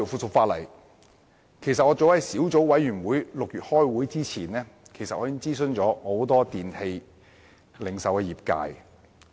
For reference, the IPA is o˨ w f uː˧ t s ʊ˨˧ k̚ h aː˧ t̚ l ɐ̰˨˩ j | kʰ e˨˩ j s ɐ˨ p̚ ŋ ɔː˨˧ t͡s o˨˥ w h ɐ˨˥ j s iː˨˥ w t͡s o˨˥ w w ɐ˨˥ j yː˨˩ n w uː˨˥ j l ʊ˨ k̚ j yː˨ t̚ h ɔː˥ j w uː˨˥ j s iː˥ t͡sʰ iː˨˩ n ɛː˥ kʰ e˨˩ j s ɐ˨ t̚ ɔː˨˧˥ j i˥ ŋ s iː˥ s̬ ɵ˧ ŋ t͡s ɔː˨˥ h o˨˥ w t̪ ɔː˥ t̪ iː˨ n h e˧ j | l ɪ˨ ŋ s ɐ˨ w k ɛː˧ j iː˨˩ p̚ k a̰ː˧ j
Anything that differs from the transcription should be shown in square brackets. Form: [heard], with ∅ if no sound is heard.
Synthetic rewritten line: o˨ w f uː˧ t s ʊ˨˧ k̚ [f] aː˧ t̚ l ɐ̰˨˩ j | kʰ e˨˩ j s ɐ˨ [t̚] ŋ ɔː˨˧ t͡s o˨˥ w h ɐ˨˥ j s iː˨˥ w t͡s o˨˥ w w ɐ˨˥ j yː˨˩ n w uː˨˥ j l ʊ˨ k̚ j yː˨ t̚ h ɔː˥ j w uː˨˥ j [t͡s] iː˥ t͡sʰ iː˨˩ n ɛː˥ kʰ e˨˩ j s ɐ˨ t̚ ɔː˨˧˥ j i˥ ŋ [t͡s] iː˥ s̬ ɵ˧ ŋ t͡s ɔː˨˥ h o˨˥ w t̪ ɔː˥ t̪ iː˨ n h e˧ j | l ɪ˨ ŋ s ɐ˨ w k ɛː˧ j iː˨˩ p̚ k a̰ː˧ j